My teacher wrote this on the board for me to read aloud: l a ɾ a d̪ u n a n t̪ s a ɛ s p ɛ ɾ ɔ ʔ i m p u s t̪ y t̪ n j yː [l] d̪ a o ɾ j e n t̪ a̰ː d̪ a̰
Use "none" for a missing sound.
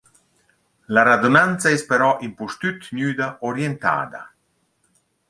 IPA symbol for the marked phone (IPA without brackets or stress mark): none